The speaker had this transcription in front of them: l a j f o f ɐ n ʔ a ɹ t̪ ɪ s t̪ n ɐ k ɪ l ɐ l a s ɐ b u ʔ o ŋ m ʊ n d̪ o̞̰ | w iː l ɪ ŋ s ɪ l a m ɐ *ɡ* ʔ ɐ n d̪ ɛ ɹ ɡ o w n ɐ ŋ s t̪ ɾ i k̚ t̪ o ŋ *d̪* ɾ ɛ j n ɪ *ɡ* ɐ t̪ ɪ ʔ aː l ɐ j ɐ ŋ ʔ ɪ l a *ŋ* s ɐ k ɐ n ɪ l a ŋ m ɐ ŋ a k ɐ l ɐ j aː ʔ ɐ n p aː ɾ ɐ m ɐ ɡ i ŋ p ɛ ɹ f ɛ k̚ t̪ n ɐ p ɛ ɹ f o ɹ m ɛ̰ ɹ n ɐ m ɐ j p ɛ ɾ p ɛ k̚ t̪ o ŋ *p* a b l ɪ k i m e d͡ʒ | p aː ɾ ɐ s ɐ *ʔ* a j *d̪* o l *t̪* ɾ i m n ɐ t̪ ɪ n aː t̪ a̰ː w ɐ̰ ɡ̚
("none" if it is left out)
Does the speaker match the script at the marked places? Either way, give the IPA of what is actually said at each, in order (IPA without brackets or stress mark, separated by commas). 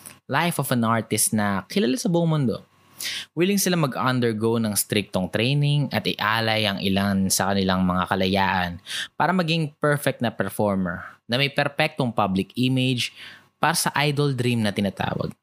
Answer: ɡ, t̪, ŋ, n, p, ʔ, d̪, d̪